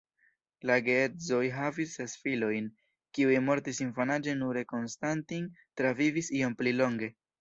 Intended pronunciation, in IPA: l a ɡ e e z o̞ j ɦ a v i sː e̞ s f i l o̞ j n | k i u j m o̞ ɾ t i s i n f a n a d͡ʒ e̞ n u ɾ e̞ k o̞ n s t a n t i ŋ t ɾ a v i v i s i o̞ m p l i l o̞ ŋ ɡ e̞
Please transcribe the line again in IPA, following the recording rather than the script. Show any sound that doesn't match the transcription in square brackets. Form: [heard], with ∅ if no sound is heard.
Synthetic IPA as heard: l a ɡ e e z o̞ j ɦ a v i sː e̞ s f i l o̞ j n | k i u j m o̞ ɾ t i s i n f a n a d͡ʒ e̞ n u ɾ e̞ k o̞ n s t a n t i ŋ t ɾ a v i v i s i o̞ m p l i l o̞ ŋ ɡ e̞